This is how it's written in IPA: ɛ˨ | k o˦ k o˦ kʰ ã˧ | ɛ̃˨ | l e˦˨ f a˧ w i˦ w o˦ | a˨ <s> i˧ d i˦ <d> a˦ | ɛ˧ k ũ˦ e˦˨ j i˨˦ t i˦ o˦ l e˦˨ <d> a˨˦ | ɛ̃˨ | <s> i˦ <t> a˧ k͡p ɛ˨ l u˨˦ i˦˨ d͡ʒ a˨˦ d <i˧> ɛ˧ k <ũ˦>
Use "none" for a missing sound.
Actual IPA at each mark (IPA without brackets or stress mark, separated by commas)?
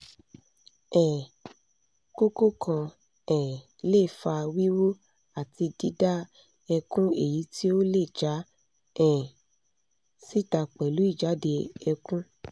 t, d, d͡ʒ, s, t, e˧, ũ˦